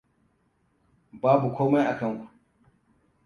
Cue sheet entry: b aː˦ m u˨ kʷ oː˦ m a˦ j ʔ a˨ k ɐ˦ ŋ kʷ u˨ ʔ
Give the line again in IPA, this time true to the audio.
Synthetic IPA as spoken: b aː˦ b u˨ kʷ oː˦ m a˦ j ʔ a˨ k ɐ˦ ŋ kʷ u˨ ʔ